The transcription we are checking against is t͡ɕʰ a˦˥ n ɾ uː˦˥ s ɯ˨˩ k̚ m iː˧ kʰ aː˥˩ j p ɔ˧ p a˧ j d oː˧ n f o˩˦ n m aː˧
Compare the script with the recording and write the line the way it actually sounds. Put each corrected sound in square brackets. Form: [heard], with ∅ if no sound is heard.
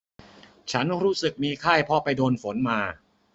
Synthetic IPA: t͡ɕʰ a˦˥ n ɾ uː˦˥ s ɯ˨˩ k̚ m iː˧ kʰ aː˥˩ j [pʰ] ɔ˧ p a˧ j d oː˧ n f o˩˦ n m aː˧